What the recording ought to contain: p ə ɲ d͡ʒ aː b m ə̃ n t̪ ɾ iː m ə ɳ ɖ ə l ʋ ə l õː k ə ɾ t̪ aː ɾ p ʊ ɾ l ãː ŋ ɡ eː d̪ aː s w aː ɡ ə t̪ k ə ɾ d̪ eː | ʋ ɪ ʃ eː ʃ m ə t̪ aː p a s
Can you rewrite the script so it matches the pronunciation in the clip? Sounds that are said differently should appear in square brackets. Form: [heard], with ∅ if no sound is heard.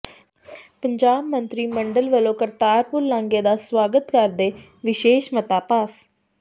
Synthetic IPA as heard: p ə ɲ d͡ʒ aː b m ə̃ n t̪ ɾ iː m ə ɳ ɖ ə l ʋ ə l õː k ə ɾ t̪ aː ɾ p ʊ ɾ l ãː ŋ ɡ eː d̪ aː s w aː ɡ ə t̪ k ə ɾ d̪ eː | ʋ ɪ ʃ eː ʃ m ə t̪ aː p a s